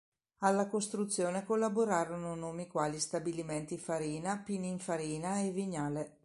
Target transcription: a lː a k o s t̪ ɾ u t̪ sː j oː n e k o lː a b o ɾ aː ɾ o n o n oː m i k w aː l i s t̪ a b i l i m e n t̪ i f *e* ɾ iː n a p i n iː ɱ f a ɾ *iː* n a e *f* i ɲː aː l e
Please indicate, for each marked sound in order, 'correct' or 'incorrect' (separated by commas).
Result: incorrect, correct, incorrect